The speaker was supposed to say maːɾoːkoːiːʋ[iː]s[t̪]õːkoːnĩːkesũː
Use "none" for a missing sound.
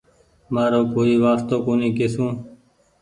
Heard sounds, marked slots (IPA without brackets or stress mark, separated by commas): aː, t̪